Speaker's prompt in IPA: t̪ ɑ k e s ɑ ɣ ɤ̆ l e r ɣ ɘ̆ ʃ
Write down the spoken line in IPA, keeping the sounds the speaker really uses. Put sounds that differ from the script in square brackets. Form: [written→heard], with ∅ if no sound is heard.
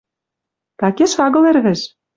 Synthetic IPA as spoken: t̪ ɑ k e [s→ʃ] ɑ ɣ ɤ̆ l e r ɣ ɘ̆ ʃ